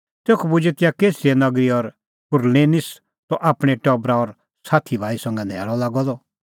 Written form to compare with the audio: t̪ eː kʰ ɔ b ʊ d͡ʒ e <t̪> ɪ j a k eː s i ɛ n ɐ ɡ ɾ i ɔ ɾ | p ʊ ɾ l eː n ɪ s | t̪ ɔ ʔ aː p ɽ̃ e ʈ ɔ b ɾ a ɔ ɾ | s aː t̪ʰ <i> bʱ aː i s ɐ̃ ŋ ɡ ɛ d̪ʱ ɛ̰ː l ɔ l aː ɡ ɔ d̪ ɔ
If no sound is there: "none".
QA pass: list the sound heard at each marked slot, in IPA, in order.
t̪, i

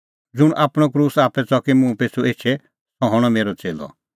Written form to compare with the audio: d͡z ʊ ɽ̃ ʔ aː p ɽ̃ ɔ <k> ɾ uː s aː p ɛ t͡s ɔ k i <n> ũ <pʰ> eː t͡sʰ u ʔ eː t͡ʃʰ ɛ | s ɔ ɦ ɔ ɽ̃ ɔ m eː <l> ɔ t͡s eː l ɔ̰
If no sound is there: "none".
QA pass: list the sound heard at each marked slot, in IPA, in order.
k, m, p, ɾ

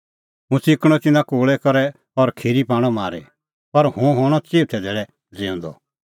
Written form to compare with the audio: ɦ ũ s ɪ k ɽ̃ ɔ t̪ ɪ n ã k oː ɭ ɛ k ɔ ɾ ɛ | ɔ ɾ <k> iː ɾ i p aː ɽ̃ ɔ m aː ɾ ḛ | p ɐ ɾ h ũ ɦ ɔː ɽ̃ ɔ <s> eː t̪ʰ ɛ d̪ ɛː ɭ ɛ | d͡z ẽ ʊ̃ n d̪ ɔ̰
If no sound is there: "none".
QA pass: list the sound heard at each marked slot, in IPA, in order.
kʰ, t͡s

